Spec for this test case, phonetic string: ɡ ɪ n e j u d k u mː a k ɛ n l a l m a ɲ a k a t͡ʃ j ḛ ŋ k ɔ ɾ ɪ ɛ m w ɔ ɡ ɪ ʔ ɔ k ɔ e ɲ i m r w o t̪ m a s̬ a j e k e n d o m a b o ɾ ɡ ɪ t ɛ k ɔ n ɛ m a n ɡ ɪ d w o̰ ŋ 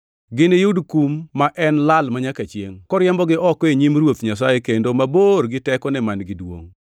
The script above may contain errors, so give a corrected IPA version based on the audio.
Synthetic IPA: ɡ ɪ n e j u d k u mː a ʔ ɛ n l a l m a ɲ a k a t͡ʃ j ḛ ŋ k ɔ ɾ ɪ ɛ m b ɔ ɡ ɪ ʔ ɔ k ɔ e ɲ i m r w o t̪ ɲ a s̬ a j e k e n d o m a b o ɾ ɡ ɪ t ɛ k ɔ n ɛ m a n ɡ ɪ d w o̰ ŋ

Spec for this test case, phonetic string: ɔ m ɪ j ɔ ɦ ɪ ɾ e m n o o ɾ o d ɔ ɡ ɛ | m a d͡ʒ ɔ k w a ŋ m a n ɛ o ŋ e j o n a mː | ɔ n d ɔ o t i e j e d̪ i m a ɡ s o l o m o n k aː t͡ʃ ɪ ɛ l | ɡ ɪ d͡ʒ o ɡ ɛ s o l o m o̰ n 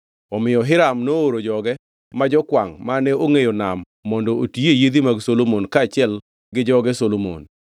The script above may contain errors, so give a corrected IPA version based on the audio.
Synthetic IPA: ɔ m ɪ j ɔ ɦ ɪ ɾ a m n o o ɾ o d͡ʒ ɔ ɡ ɛ | m a d͡ʒ ɔ k w a ŋ m a n ɛ o ŋ e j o n a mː | ɔ n d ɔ o t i e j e d̪ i m a ɡ s o l o m o n k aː t͡ʃ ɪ ɛ l | ɡ ɪ d͡ʒ ɔ ɡ ɛ s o l o m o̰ n

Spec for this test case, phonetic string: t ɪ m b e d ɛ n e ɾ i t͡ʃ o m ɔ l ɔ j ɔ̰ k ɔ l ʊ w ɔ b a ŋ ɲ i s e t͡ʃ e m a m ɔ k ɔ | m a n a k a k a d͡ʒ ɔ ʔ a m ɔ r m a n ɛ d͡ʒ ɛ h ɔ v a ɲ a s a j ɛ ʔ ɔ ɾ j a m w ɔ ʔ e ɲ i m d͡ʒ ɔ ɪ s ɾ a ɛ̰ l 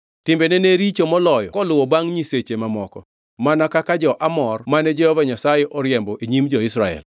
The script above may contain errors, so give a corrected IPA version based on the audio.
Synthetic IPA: t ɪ m b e n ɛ n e ɾ i t͡ʃ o m ɔ l ɔ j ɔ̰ k ɔ l ʊ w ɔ b a ŋ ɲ i s e t͡ʃ e m a m ɔ k ɔ | m a n a k a k a d͡ʒ ɔ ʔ a m ɔ r m a n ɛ d͡ʒ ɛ h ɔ v a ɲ a s a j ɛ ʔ ɔ ɾ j ɛ m b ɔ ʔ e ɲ i m d͡ʒ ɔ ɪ s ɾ a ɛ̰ l

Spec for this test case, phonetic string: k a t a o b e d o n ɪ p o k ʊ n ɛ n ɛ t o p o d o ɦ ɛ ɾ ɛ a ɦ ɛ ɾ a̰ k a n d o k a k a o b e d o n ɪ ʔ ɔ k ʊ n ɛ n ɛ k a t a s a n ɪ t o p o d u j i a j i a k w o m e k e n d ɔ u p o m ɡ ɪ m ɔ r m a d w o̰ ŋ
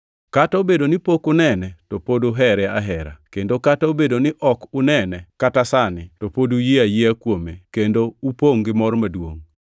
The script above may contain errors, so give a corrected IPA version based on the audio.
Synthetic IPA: k a t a o b e d o n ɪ p o k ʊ n ɛ n ɛ t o p o d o ɦ ɛ ɾ ɛ a ɦ ɛ ɾ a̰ k e n d o k a t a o b e d o n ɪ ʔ ɔ k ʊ n ɛ n ɛ k a t a s a n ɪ t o p o d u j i a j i a k w o m e k e n d o u p o ŋ ɡ ɪ m ɔ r m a d w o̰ ŋ

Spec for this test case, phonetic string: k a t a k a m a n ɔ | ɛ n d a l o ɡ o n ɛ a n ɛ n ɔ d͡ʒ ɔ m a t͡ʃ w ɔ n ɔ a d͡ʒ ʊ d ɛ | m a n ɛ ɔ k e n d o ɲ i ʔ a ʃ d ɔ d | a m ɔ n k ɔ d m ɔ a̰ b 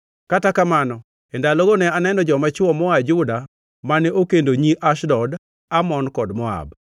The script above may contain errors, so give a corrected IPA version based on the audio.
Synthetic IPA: k a t a k a m a n ɔ | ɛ n d a l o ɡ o n ɛ a n ɛ n ɔ d͡ʒ ɔ m a t͡ʃ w ɔ m ɔ a d͡ʒ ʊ d a | m a n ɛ o k e n d o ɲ i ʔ a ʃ d ɔ d | a m ɔ n k ɔ d m ɔ a̰ b

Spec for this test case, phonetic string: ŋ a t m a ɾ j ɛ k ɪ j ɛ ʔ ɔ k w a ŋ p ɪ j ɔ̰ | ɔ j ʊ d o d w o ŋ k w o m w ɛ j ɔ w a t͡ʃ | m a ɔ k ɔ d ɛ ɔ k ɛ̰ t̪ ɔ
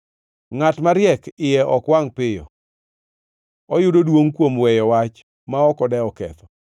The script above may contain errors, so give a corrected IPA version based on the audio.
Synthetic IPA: ŋ a t m a ɾ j ɛ k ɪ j ɛ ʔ ɔ k w a ŋ p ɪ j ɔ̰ | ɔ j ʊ d o d w o ŋ k w o m w ɛ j ɔ w a t͡ʃ | m a ɔ k ɔ d ɛ ɔ k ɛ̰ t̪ ɔ

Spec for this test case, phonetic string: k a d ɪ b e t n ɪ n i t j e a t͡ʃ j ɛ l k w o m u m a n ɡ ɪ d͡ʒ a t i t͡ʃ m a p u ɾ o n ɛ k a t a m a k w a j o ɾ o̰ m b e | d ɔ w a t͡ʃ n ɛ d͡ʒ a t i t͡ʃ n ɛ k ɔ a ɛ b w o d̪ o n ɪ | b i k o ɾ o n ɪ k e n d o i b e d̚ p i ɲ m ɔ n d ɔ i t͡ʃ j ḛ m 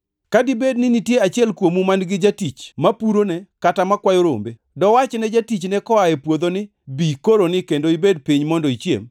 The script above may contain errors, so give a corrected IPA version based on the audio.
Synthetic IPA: k a d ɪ b e d n ɪ n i t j e a t͡ʃ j ɛ l k w o m u m a n ɡ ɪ d͡ʒ a t i t͡ʃ m a p u ɾ o n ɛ k a t a m a k w a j o ɾ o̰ m b e | d ɔ w a t͡ʃ n ɛ d͡ʒ a t i t͡ʃ n ɛ k ɔ a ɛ p w o d̪ o n ɪ | b i k o ɾ o n ɪ k e n d o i b e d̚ p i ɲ m ɔ n d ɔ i t͡ʃ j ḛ m

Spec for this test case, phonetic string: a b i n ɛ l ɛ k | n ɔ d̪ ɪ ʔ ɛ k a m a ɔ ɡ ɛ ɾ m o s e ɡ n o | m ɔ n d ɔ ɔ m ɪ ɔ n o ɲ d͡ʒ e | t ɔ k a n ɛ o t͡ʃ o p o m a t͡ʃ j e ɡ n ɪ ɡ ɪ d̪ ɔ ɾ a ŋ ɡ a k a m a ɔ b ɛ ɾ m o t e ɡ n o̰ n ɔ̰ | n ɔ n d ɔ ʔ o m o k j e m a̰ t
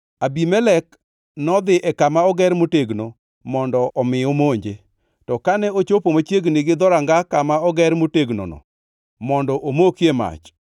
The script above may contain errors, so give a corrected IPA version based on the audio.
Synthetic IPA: a b i m ɛ l ɛ k | n ɔ d̪ ɪ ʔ ɛ k a m a ɔ ɡ ɛ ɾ m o t e ɡ n o | m ɔ n d ɔ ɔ m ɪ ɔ m o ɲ d͡ʒ e | t ɔ k a n ɛ o t͡ʃ o p o m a t͡ʃ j e ɡ n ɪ ɡ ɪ d̪ ɔ ɾ a ŋ ɡ a k a m a ɔ ɡ ɛ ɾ m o t e ɡ n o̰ n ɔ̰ | m ɔ n d ɔ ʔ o m o k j e m a̰ t͡ʃ

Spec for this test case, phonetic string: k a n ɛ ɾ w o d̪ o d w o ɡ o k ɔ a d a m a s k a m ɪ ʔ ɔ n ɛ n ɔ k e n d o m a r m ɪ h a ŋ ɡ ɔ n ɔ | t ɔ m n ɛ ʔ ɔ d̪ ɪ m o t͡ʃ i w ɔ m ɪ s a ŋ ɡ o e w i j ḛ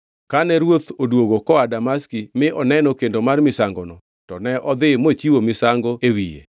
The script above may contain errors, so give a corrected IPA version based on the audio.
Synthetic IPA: k a n ɛ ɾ w o t̪ o d w o ɡ o k ɔ a d a m a s k i m ɪ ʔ ɔ n ɛ n ɔ k e n d o m a r m ɪ s a ŋ ɡ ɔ n ɔ | t ɔ n ɛ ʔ ɔ d̪ ɪ m o t͡ʃ i w o m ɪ s a ŋ ɡ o e w i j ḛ

